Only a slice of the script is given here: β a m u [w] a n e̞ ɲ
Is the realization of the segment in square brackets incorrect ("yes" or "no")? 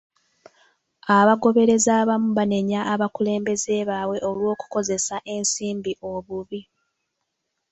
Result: yes